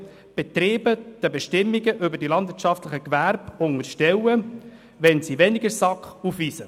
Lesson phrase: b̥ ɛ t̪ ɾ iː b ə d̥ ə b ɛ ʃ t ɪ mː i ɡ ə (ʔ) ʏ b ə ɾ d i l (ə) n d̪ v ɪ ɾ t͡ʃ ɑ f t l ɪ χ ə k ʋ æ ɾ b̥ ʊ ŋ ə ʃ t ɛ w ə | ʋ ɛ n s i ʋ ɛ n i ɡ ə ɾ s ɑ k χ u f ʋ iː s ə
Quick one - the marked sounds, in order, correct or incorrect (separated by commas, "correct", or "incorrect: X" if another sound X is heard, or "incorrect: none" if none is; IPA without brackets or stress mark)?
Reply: correct, incorrect: ɑ